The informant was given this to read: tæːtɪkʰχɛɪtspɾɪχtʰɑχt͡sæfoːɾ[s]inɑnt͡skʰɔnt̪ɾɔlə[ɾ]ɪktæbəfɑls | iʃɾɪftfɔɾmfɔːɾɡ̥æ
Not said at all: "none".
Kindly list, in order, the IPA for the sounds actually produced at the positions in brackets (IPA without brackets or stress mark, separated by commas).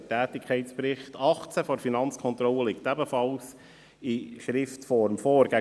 f, l